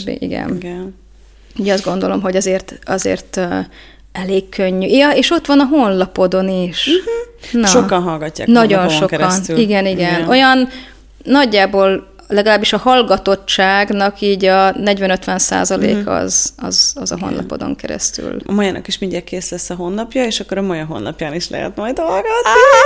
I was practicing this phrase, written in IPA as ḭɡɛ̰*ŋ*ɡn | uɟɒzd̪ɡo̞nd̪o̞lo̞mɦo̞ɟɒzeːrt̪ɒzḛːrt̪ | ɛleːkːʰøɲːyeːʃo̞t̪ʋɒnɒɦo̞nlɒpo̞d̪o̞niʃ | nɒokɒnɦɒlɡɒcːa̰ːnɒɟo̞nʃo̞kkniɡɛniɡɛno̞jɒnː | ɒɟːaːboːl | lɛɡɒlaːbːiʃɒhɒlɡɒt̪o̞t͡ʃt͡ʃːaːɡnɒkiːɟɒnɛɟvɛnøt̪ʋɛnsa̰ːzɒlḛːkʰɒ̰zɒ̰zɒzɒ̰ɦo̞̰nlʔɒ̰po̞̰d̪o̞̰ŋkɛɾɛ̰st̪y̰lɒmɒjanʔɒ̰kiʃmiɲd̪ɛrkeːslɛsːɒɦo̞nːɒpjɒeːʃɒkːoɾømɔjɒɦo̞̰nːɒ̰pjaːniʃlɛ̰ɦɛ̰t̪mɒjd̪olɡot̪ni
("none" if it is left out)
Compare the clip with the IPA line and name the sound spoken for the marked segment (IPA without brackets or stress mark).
n